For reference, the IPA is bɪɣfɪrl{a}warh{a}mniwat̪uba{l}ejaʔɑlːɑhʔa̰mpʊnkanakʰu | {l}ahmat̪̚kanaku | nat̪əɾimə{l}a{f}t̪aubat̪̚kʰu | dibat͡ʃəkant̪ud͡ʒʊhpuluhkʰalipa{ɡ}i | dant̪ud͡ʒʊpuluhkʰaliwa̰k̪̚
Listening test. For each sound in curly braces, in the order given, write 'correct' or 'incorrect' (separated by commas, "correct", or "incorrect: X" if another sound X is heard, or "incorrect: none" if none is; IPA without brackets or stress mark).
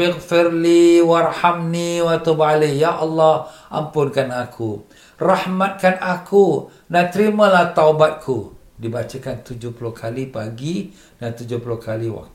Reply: incorrect: i, correct, correct, incorrect: r, correct, incorrect: h, correct